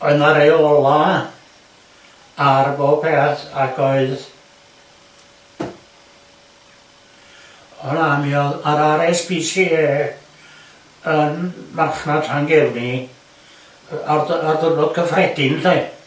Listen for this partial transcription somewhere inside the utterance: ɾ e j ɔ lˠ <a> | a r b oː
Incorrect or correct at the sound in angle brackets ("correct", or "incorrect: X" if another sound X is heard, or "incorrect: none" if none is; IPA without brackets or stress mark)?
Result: correct